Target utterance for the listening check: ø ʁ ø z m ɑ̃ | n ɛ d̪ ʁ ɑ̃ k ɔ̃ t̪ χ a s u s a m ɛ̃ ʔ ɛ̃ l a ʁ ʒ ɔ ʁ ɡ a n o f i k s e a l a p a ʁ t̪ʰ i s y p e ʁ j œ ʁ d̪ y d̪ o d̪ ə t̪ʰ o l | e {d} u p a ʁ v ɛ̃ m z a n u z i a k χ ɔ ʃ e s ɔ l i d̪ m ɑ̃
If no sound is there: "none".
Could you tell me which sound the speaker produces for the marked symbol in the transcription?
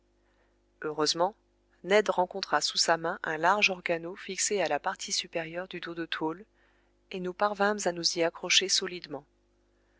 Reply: n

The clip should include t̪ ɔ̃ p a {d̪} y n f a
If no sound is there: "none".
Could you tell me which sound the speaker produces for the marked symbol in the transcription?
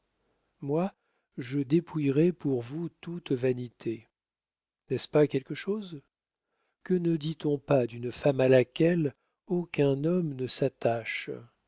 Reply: d̪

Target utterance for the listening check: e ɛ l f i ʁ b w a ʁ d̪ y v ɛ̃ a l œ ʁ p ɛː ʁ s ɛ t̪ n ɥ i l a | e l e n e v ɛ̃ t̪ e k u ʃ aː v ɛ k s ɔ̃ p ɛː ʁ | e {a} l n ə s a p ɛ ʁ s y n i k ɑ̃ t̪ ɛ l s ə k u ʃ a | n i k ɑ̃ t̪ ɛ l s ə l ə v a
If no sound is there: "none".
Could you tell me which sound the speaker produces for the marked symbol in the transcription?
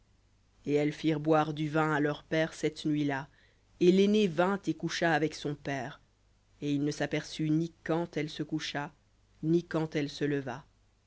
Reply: i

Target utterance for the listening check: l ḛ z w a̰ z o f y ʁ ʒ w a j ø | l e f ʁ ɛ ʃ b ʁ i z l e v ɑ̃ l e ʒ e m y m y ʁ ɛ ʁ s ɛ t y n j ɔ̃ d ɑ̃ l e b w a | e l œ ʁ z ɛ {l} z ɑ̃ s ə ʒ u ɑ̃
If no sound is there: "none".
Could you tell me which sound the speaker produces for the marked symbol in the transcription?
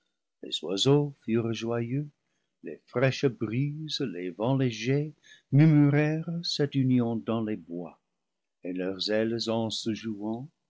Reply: l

